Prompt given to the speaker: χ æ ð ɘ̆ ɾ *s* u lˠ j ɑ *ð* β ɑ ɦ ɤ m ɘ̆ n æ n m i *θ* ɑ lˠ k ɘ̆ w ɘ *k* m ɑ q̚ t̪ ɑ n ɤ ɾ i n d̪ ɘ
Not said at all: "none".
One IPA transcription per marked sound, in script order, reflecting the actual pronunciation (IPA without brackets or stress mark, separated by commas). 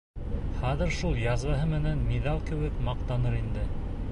ʃ, z, ð, k